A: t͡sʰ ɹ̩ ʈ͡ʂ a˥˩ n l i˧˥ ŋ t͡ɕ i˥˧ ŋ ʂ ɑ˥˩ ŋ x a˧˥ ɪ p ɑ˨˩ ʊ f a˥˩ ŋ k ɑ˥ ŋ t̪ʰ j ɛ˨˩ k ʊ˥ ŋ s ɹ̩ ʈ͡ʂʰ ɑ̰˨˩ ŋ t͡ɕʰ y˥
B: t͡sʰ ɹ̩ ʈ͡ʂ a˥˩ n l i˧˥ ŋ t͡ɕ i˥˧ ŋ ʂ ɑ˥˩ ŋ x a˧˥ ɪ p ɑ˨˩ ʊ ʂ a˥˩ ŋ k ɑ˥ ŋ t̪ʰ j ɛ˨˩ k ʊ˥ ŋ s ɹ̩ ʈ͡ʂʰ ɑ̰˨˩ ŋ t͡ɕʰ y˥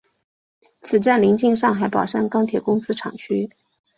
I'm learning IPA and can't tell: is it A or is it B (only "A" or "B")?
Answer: B